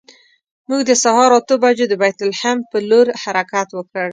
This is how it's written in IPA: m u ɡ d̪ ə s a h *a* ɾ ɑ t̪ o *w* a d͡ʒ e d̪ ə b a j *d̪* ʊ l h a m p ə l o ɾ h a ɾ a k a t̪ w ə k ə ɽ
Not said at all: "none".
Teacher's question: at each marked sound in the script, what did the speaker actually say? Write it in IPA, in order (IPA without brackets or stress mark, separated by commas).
ɑ, b, t̪